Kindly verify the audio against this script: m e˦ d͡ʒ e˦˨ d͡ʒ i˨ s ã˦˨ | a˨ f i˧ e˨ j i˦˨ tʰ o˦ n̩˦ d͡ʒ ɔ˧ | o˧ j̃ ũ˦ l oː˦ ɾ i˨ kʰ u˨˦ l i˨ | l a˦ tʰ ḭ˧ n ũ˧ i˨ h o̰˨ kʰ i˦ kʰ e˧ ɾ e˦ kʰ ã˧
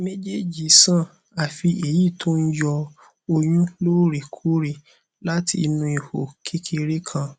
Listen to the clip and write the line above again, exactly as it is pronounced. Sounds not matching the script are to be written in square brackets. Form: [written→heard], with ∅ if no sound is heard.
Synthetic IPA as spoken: m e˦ d͡ʒ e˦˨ d͡ʒ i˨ s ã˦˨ | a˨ f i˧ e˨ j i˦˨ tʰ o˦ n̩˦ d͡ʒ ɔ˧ | o˧ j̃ ũ˦ l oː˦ ɾ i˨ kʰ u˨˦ [l→ɾ] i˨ | l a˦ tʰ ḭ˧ n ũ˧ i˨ h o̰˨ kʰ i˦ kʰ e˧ ɾ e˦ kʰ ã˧